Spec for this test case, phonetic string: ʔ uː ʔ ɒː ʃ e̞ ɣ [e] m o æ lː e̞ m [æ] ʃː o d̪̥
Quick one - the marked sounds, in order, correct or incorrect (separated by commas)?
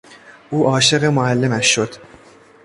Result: correct, correct